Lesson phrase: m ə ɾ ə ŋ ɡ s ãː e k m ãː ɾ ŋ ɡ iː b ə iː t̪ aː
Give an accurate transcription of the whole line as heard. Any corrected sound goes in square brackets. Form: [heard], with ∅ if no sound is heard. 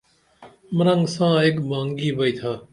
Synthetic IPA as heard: m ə ɾ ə ŋ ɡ s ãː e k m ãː [∅] ŋ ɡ iː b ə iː [t̪ʰ] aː